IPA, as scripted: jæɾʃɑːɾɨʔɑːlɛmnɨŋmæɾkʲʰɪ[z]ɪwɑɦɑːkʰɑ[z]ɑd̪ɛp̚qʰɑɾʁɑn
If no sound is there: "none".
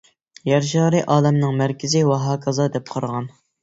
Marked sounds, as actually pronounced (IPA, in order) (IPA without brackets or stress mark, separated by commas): z, z